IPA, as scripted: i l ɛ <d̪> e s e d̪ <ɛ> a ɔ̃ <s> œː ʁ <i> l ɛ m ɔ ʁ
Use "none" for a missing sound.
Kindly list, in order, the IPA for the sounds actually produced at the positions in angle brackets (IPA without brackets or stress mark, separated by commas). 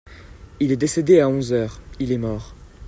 d̪, e, z, i